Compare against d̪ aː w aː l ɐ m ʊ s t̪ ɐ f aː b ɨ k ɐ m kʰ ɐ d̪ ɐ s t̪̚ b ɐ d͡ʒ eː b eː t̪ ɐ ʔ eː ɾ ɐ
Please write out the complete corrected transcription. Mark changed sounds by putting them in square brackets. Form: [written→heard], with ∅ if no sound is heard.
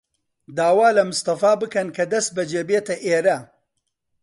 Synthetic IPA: d̪ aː w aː l ɐ m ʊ s t̪ ɐ f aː b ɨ k ɐ [m→n] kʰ ɐ d̪ ɐ s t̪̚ b ɐ d͡ʒ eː b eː t̪ ɐ ʔ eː ɾ ɐ

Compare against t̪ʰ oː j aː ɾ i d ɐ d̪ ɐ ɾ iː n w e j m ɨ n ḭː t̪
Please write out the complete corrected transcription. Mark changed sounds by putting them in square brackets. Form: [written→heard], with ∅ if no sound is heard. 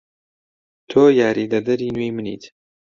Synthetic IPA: t̪ʰ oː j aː ɾ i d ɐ d̪ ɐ ɾ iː n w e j m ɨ n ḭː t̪

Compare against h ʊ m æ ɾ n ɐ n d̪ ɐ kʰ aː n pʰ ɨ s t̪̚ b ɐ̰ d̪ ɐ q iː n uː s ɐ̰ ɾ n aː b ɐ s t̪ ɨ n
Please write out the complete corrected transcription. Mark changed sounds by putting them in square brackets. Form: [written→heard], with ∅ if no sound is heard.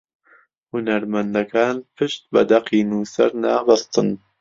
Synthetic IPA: h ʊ [m→n] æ ɾ [n→m] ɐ n d̪ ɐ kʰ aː n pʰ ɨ [s→ʃ] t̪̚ b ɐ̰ d̪ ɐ q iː n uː s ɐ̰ ɾ n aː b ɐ s t̪ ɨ n

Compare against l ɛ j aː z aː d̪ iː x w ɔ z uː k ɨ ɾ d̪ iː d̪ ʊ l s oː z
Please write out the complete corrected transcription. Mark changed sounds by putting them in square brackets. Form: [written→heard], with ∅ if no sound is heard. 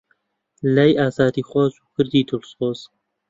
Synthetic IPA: l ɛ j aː z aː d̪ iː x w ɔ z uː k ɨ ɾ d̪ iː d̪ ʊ l s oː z

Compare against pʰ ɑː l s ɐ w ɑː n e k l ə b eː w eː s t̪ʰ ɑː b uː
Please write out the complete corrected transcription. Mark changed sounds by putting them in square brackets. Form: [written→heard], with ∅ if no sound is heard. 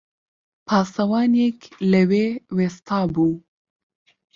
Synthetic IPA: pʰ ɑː [l→∅] s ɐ w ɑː n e k l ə [b→w] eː w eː s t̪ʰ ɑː b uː

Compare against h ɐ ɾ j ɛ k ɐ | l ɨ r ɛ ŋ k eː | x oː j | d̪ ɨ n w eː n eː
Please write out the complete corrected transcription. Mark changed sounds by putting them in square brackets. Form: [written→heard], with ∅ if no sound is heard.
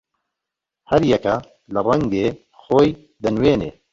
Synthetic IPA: h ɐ ɾ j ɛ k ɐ | l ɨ r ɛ ŋ [k→ɡ] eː | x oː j | d̪ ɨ n w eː n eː

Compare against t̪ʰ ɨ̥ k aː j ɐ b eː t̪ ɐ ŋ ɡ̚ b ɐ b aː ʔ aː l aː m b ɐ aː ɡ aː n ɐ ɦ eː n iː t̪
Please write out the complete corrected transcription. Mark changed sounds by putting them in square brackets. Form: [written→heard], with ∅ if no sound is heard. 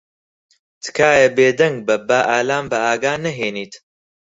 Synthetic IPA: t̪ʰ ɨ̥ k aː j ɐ b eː [t̪→d̪] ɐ ŋ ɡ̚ b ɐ b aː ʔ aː l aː m b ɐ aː ɡ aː n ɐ ɦ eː n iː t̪

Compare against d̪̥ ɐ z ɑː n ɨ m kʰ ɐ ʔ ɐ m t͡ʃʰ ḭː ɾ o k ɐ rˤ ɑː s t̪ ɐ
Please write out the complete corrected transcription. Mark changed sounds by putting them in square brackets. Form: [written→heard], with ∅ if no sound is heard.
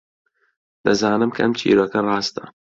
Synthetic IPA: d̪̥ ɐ z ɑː n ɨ m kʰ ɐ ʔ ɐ m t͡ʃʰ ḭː ɾ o k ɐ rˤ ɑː s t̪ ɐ

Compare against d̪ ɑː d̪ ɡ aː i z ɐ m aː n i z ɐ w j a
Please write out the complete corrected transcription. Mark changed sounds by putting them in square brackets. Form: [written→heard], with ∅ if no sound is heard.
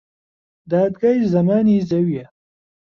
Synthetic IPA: d̪ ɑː d̪ ɡ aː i z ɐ m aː n i z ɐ w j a

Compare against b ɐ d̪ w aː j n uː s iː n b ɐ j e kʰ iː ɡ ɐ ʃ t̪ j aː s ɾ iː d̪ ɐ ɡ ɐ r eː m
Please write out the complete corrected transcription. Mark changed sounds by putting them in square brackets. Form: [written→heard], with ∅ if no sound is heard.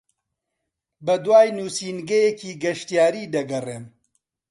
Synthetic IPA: b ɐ d̪ w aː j n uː s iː n [b→ɡ] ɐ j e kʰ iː ɡ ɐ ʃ t̪ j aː [s→∅] ɾ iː d̪ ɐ ɡ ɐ r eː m

